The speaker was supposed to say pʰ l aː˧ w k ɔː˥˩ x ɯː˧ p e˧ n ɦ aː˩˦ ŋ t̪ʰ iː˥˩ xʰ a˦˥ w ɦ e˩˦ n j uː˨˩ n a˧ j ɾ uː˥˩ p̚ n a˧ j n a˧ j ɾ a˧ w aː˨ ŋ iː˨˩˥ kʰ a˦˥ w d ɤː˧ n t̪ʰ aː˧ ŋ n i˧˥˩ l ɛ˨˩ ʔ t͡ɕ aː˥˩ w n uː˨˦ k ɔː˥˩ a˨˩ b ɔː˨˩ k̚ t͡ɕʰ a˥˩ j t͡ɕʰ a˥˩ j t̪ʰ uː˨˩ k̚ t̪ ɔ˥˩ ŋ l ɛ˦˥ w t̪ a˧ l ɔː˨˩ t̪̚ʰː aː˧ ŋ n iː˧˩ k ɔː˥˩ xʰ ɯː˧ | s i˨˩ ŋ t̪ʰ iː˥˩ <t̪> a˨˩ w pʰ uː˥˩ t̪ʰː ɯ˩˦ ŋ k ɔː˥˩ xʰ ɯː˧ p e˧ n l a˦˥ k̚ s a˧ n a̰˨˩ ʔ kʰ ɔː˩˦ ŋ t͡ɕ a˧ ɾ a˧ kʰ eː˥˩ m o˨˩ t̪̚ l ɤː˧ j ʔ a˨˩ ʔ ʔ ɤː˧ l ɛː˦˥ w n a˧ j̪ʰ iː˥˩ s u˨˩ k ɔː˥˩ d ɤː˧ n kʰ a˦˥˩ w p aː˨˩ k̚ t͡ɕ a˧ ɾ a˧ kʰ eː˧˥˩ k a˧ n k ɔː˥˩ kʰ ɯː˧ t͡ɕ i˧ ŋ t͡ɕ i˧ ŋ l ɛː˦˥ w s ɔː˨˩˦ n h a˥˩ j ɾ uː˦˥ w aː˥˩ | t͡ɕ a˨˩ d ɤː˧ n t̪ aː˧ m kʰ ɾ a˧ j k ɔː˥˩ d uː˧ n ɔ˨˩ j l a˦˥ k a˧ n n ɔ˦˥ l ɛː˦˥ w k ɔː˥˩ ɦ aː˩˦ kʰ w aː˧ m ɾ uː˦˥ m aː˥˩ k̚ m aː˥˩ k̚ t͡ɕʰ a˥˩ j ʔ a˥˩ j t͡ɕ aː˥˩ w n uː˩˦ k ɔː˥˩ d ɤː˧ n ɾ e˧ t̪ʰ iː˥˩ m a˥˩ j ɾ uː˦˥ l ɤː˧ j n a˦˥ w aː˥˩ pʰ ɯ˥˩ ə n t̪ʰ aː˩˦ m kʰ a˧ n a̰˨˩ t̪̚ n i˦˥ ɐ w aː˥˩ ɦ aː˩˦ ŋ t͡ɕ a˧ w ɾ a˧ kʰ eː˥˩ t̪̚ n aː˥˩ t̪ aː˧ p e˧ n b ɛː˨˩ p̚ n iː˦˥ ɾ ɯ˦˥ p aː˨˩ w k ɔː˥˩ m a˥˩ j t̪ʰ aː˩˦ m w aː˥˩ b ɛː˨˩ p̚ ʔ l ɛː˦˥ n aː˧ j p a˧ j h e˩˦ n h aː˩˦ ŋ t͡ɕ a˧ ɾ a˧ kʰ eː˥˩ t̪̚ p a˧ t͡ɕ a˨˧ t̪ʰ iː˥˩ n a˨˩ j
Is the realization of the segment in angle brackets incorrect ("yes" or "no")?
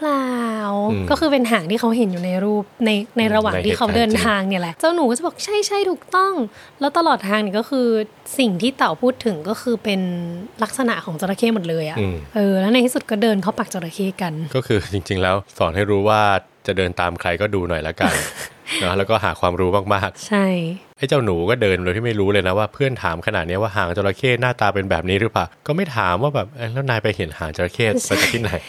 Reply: no